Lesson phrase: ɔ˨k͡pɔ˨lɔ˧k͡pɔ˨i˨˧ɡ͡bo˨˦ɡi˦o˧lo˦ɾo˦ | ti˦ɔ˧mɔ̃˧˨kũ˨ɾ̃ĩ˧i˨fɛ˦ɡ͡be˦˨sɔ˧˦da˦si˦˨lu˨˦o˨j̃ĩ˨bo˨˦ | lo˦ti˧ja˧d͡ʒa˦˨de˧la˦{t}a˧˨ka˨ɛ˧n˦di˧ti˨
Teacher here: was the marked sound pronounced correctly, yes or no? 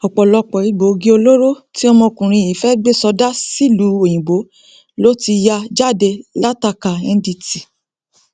yes